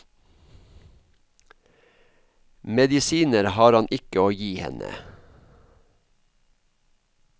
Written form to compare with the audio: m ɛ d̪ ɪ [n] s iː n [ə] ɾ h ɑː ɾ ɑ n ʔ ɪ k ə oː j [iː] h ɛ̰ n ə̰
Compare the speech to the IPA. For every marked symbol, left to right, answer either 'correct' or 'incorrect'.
incorrect, correct, correct

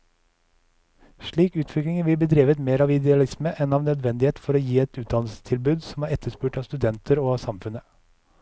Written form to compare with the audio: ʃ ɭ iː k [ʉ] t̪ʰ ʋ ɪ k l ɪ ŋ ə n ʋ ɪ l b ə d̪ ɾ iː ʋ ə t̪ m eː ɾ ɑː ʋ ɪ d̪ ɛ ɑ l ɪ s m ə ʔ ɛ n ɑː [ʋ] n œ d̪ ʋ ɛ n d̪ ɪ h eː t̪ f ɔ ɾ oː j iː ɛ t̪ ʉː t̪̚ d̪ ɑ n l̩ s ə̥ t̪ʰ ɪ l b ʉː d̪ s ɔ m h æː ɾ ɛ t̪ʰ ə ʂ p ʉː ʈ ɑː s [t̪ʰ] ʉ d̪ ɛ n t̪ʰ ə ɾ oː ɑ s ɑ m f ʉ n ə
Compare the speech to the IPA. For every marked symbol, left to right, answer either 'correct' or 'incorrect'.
incorrect, correct, incorrect

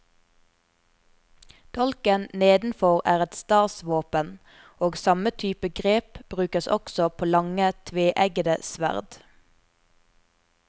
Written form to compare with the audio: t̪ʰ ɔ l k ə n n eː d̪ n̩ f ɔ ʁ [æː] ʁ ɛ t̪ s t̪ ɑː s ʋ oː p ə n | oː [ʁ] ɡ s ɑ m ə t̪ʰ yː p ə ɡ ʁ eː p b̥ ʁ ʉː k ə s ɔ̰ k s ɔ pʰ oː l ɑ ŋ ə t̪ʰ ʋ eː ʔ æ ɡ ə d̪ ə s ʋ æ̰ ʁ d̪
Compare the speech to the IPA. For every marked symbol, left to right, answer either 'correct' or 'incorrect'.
correct, incorrect

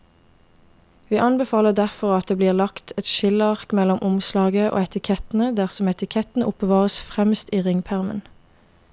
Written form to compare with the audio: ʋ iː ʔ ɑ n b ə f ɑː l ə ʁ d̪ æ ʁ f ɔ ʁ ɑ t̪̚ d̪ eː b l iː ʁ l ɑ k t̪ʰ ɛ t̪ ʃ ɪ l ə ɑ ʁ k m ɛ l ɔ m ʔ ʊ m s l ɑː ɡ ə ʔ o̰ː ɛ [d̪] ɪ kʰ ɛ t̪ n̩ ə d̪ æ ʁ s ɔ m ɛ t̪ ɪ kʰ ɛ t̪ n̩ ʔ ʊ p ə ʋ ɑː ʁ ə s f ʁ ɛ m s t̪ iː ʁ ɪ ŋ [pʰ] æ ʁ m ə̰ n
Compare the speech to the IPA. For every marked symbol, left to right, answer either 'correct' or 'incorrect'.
incorrect, correct

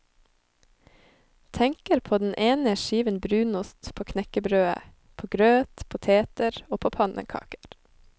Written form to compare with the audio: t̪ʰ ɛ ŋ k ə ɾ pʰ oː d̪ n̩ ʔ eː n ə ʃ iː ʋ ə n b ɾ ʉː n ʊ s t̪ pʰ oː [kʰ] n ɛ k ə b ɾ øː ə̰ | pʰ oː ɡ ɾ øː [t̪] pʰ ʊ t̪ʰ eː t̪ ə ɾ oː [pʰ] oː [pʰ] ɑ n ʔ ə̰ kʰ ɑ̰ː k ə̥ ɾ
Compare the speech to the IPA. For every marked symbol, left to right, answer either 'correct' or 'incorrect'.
correct, correct, correct, correct

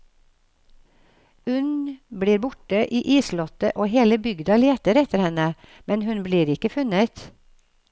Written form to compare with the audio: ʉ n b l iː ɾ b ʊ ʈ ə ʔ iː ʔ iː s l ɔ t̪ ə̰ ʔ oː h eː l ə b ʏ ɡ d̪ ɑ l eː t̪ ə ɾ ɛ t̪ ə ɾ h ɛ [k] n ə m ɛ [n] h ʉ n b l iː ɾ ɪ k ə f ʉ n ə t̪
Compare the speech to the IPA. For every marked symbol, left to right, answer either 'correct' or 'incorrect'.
incorrect, correct

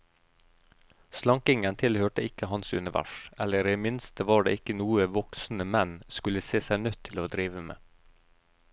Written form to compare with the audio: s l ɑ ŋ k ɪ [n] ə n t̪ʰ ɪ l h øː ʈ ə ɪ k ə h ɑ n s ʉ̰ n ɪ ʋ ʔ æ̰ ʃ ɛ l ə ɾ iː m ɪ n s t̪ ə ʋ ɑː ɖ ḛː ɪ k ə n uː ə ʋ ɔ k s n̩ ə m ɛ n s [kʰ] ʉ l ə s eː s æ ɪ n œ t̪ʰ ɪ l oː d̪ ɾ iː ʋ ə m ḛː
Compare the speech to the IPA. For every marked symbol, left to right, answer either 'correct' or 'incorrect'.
incorrect, incorrect

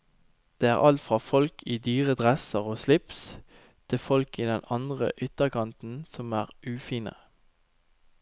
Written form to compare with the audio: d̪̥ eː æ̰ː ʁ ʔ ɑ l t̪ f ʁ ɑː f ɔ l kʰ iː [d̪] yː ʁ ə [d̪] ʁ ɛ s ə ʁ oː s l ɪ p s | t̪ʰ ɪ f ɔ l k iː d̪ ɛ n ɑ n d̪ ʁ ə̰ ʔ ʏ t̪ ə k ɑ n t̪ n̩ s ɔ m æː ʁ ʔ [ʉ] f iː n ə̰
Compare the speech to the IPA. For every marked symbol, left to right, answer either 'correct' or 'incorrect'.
correct, correct, incorrect

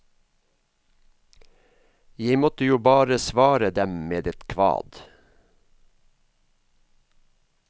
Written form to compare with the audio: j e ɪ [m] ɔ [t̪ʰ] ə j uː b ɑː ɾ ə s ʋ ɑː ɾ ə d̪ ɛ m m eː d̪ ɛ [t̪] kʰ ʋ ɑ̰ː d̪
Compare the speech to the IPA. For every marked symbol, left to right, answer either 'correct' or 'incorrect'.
correct, incorrect, correct

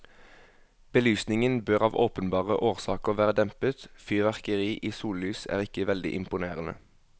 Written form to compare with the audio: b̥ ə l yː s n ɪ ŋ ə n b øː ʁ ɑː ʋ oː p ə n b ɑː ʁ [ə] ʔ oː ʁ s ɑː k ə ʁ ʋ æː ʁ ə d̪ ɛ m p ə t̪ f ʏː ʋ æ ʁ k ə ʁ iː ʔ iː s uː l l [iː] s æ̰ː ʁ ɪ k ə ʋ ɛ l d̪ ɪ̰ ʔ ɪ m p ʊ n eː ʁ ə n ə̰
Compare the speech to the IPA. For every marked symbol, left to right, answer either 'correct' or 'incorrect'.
correct, incorrect

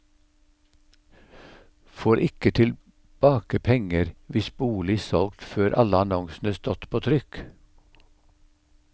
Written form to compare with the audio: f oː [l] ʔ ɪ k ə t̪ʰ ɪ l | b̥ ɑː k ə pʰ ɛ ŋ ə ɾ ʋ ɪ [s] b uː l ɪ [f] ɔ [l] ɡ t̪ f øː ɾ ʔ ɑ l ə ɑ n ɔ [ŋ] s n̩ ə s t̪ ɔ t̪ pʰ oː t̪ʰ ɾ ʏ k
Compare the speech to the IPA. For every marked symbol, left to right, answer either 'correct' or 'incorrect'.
incorrect, correct, incorrect, correct, correct

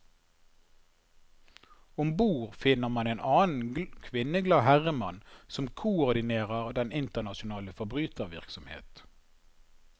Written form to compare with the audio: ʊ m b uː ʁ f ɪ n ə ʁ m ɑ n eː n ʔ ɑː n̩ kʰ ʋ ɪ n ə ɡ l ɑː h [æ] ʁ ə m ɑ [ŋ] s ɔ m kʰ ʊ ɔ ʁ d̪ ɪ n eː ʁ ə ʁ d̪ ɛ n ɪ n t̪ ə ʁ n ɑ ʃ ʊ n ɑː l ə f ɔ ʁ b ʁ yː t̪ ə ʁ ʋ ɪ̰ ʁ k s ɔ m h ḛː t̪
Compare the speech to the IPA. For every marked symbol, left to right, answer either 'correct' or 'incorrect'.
correct, incorrect

